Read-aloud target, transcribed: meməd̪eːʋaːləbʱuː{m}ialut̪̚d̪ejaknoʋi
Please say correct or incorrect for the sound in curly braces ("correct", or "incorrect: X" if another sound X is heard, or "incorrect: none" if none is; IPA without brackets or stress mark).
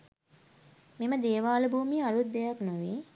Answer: correct